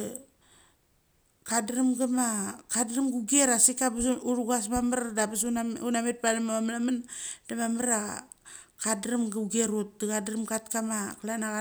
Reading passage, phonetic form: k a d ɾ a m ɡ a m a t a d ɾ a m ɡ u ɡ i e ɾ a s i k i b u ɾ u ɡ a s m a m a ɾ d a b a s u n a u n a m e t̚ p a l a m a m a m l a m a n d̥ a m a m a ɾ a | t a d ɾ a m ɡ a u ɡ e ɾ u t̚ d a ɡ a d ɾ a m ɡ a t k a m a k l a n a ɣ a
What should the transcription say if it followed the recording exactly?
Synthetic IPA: k a d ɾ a m ɡ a m a k a d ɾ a m ɡ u ɡ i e ɾ a s i k a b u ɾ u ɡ a s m a m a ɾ d a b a s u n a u n a m e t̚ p a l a m a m a m l a m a n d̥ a m a m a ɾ a | k a d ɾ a m ɡ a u ɡ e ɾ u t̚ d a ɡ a d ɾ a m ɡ a t k a m a k l a n a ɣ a

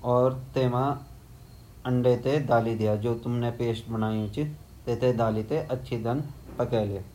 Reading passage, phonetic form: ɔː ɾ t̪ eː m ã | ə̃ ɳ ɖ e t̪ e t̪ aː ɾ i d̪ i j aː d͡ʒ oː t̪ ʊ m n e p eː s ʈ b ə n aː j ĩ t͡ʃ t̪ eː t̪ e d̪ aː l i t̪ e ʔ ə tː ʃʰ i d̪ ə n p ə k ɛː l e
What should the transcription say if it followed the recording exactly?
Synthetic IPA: ɔː ɾ t̪ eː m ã | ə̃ ɳ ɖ e t̪ e d̪ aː l i d̪ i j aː d͡ʒ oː t̪ ʊ m n e p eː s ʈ b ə n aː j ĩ t͡ʃ t̪ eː t̪ e d̪ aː l i t̪ e ʔ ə tː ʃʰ i d̪ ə n p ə k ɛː l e

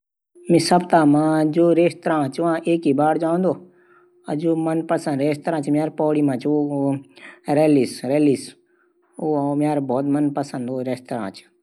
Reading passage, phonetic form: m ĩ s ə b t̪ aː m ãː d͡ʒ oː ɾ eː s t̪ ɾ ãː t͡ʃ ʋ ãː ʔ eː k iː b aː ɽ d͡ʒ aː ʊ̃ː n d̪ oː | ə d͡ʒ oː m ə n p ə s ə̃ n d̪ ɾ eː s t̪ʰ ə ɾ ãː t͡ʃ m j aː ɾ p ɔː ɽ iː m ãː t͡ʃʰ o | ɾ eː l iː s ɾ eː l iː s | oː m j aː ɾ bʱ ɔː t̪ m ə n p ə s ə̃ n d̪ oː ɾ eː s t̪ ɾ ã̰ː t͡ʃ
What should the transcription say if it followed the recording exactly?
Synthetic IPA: m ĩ s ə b t̪ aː m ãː d͡ʒ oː ɾ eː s t̪ ɾ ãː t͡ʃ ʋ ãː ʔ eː k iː b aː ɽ d͡ʒ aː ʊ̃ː n d̪ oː | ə d͡ʒ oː m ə n p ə s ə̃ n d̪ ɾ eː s t̪ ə ɾ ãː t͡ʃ m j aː ɾ p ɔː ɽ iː m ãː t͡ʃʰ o | ɾ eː l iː s ɾ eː l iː s | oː m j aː ɾ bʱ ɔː t̪ m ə n p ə s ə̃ n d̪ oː ɾ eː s t̪ ɾ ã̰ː t͡ʃ

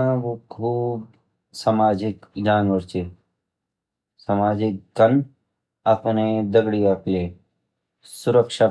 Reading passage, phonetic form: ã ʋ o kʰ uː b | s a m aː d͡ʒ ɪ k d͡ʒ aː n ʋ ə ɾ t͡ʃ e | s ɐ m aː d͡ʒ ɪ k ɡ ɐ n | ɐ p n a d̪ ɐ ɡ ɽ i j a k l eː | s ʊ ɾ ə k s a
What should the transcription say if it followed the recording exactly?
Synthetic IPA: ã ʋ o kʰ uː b | s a m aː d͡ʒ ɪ k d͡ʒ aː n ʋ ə ɾ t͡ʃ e | s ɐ m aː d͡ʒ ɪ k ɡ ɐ n | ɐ p n e d̪ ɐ ɡ ɽ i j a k l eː | s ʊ ɾ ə k ʃ a

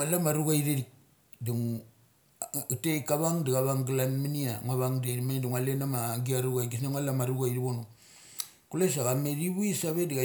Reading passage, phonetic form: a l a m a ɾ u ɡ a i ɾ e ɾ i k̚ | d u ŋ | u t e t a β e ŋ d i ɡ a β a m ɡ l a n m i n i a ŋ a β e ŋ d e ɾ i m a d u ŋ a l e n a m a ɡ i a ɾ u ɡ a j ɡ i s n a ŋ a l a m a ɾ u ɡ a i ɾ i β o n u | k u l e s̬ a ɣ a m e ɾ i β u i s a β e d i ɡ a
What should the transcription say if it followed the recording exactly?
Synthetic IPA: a l a m a ɾ u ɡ a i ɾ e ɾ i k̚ | d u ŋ | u t e k a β a ŋ d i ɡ a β a ŋ ɡ l a n m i n i a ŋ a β a ŋ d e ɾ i m a d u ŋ a l e n a m a ɡ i a ɾ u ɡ a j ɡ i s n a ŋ a l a m a ɾ u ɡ a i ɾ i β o n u | k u l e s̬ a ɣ a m e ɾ i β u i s a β e d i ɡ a

